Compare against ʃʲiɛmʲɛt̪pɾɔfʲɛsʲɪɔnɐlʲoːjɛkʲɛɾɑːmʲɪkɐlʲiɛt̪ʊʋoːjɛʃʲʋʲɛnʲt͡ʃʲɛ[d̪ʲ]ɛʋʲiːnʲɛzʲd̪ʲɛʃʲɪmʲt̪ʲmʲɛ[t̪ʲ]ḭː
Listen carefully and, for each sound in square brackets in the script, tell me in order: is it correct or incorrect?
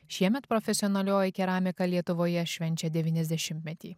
correct, correct

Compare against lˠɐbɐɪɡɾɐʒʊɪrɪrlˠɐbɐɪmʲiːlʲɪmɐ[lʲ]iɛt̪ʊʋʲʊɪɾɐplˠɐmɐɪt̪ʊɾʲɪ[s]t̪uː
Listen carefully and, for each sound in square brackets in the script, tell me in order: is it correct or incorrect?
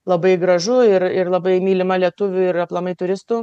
correct, correct

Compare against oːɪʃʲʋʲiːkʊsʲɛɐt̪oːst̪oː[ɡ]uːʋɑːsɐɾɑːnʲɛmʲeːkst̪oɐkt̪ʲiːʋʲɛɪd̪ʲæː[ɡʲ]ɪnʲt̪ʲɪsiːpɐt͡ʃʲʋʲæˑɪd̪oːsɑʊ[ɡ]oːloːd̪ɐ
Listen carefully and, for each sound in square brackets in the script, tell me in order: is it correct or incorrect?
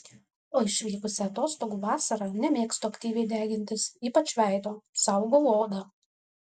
correct, correct, correct

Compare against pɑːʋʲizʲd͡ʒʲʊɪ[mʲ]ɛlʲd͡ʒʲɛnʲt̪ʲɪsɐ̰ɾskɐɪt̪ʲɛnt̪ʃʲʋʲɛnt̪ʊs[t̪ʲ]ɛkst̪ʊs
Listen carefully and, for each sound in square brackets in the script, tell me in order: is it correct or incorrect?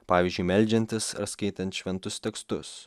correct, correct

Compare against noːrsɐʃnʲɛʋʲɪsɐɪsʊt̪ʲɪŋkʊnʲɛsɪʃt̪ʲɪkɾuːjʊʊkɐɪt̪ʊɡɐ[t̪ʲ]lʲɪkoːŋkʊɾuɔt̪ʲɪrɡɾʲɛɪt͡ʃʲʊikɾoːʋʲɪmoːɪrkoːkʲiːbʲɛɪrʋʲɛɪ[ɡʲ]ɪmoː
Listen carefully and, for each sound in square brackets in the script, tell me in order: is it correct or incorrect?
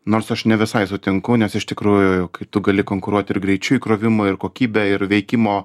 incorrect: none, incorrect: kʲ

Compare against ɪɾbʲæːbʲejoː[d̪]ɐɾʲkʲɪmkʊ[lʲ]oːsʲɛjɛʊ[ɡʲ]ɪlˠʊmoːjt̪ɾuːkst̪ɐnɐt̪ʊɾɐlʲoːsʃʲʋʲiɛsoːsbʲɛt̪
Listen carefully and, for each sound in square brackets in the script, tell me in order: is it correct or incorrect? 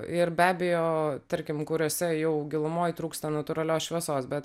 incorrect: t̪, incorrect: ɾʲ, correct

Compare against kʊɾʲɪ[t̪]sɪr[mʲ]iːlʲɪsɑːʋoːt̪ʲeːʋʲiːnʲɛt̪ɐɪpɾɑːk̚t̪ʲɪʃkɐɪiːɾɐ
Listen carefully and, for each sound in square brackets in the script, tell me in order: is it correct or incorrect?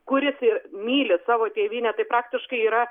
incorrect: none, correct

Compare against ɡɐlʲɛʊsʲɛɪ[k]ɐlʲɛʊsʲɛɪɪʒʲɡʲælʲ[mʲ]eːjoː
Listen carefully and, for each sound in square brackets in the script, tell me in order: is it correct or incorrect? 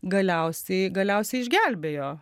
incorrect: ɡ, incorrect: bʲ

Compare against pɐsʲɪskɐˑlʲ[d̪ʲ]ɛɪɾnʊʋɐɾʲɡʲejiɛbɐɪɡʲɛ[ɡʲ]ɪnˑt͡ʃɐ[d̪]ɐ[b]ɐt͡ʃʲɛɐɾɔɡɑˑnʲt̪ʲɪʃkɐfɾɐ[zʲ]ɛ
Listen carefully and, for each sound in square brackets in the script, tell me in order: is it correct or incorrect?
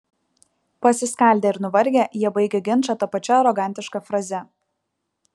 correct, correct, incorrect: t̪, incorrect: p, correct

